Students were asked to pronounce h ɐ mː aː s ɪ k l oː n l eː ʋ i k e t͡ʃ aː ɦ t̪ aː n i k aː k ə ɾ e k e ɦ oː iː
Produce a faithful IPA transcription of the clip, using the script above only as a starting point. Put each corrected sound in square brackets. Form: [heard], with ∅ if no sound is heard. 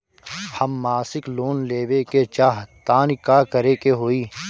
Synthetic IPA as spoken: h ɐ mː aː s ɪ k l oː n l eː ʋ [e] k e t͡ʃ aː ɦ t̪ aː n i k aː k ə ɾ e k e ɦ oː iː